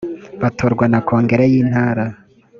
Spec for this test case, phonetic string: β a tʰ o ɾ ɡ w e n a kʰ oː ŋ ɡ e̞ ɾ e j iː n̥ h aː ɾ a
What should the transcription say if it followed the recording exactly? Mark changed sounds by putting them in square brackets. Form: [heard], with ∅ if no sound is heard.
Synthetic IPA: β a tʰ o ɾ ɡ w [a] n a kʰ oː ŋ ɡ e̞ ɾ e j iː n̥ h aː ɾ a